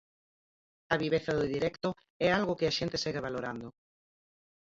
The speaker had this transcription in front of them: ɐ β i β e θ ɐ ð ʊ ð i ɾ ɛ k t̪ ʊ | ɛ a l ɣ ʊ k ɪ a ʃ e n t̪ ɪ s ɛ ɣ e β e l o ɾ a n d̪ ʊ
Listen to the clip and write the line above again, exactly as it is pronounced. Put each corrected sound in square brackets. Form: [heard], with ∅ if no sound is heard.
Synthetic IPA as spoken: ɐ β i β e θ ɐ ð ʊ ð i ɾ ɛ k t̪ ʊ | ɛ a l ɣ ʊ k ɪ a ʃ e n t̪ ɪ s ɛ ɣ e β [a] l o ɾ a n d̪ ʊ